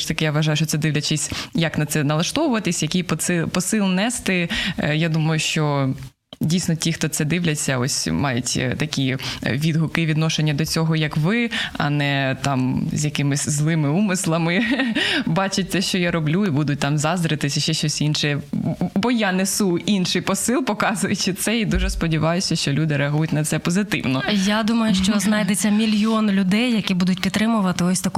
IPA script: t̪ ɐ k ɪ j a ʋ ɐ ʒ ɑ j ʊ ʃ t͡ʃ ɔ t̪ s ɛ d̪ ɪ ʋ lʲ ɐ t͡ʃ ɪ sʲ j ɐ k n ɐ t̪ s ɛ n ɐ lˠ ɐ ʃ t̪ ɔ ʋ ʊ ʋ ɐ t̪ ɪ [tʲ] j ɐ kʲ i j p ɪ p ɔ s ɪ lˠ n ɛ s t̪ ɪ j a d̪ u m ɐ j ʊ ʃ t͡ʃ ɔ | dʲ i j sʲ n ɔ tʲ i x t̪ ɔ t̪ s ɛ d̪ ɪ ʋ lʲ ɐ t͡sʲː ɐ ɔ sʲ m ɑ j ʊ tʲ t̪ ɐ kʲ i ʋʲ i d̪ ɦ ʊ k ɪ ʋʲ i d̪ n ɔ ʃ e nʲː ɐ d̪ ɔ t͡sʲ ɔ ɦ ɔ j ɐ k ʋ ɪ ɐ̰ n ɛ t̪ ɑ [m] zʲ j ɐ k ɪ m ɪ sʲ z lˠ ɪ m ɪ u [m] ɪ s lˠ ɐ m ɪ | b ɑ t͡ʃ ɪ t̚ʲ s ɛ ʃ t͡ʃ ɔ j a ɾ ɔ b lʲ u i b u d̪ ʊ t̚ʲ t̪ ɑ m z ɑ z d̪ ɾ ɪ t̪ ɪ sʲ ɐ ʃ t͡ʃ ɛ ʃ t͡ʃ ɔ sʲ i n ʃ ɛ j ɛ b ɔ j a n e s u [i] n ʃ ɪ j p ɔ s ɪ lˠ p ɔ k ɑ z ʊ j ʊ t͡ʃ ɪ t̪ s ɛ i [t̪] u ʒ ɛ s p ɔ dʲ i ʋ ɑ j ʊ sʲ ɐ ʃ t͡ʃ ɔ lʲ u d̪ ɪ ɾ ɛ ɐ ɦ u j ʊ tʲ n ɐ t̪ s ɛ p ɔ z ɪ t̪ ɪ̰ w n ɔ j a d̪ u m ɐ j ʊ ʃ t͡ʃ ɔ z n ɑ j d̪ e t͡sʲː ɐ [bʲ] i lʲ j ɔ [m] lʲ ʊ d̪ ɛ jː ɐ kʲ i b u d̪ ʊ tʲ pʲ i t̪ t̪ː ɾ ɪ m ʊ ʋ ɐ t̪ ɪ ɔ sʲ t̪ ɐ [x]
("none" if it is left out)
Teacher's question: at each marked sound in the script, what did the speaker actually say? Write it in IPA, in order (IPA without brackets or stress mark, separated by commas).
sʲ, m, m, i, d̪, mʲ, n, k